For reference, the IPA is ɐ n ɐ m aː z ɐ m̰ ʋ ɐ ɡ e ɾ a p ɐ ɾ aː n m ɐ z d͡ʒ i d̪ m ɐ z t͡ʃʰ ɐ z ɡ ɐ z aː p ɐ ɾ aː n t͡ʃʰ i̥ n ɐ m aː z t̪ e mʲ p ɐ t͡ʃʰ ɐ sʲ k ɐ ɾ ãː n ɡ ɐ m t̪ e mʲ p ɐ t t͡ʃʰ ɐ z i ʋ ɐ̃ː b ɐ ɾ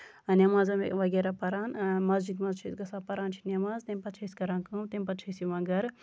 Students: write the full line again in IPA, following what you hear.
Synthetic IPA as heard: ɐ n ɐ m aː z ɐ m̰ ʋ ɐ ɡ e ɾ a p ɐ ɾ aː n m ɐ z d͡ʒ i d̪ m ɐ z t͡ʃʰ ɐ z ɡ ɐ s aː p ɐ ɾ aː n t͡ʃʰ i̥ n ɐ m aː z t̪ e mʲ p ɐ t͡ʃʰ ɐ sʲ k ɐ ɾ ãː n k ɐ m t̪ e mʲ p ɐ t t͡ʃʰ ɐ s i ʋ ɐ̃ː ɡ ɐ ɾ